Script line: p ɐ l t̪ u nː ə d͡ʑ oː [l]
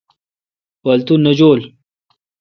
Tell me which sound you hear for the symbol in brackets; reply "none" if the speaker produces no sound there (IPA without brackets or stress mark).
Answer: l